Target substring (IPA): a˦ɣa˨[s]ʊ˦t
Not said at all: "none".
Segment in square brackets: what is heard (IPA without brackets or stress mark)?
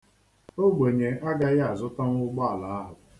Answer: z